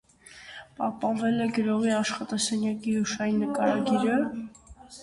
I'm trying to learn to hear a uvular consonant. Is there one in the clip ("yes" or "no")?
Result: yes